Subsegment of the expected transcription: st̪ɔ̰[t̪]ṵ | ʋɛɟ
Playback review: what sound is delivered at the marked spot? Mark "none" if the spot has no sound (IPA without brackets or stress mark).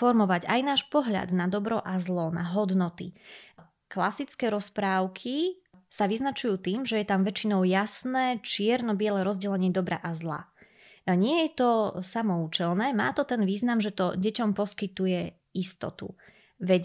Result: t̪